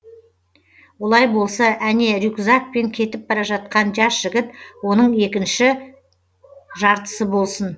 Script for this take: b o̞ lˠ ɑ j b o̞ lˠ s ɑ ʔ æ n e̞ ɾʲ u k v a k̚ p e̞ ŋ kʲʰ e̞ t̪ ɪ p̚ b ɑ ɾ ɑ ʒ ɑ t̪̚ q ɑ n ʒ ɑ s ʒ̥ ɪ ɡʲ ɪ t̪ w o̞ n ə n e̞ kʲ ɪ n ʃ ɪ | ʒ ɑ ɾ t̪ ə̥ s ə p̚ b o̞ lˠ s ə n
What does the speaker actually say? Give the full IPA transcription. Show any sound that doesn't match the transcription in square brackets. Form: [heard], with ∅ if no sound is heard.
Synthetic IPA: [w] o̞ lˠ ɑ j b o̞ lˠ s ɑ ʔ æ n e̞ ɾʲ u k [z] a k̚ p e̞ ŋ kʲʰ e̞ t̪ ɪ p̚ b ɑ ɾ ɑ ʒ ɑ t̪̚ q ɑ n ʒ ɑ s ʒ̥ ɪ ɡʲ ɪ t̪ w o̞ n ə [ɴ] e̞ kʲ ɪ n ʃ ɪ | ʒ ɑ ɾ t̪ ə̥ s ə [∅] b o̞ lˠ s ə n